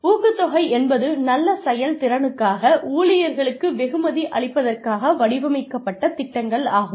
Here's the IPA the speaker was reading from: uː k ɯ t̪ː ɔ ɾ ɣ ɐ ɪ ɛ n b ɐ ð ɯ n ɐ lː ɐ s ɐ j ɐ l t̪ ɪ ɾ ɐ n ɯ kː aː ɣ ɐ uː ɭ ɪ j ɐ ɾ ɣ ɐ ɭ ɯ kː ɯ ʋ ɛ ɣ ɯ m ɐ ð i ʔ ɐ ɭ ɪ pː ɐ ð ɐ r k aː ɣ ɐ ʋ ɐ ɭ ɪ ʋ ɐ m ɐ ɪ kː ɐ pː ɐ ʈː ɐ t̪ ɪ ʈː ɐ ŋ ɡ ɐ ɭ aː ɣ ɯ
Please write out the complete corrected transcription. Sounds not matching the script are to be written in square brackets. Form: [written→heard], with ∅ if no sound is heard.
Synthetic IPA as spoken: uː k ɯ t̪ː ɔ [ɾ→∅] ɣ ɐ ɪ ɛ n b ɐ ð ɯ n ɐ lː ɐ s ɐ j ɐ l t̪ ɪ ɾ ɐ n ɯ kː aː ɣ ɐ uː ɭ ɪ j ɐ ɾ ɣ ɐ ɭ ɯ kː ɯ ʋ ɛ ɣ ɯ m ɐ ð i ʔ ɐ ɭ ɪ pː ɐ ð ɐ r k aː ɣ ɐ ʋ ɐ [ɭ→ɽ] ɪ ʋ ɐ m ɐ ɪ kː ɐ pː ɐ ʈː ɐ t̪ ɪ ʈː ɐ ŋ ɡ ɐ ɭ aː ɣ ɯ